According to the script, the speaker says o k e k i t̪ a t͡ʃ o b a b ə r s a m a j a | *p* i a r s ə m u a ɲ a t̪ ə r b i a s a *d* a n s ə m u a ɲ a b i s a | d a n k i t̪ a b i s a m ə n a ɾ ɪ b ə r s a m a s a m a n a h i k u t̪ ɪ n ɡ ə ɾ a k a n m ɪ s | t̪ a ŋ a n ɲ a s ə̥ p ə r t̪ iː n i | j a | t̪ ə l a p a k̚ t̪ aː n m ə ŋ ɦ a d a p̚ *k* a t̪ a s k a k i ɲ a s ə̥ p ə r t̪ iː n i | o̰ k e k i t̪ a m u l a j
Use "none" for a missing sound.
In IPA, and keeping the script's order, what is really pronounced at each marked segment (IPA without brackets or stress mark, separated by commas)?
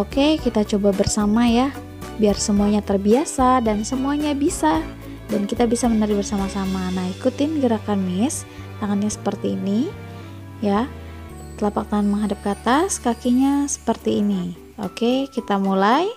b, d, k